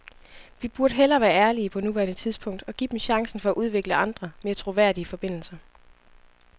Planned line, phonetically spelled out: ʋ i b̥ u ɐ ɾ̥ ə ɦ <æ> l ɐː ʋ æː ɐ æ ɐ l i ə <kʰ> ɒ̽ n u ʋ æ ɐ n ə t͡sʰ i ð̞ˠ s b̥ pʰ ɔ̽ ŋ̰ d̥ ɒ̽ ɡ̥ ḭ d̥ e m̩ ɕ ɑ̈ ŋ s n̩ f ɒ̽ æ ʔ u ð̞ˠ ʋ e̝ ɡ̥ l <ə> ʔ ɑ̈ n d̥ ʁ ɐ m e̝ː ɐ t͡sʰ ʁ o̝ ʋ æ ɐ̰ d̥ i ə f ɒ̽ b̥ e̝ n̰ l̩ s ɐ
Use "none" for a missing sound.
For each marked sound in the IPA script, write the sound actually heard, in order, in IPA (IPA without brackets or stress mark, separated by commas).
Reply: e, pʰ, ə